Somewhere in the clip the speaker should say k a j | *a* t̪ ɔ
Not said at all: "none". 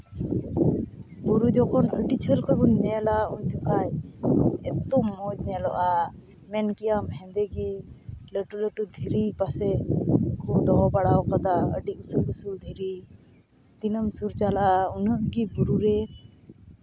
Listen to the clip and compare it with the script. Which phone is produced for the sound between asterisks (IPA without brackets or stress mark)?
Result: ɛ